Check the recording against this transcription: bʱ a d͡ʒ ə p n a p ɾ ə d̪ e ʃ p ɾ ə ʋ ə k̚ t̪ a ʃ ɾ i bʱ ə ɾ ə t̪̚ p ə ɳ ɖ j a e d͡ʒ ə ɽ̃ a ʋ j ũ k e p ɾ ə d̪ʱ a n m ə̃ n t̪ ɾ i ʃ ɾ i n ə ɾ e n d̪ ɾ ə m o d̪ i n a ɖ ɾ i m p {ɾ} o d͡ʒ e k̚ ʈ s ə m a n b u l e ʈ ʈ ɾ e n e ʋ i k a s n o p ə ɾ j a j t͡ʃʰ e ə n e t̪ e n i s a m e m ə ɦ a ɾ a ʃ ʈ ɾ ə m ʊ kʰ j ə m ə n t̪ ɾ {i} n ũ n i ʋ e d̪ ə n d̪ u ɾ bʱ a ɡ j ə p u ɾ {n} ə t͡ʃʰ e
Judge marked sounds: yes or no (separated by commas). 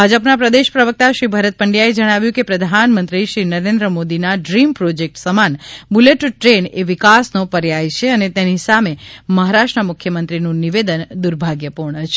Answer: yes, yes, no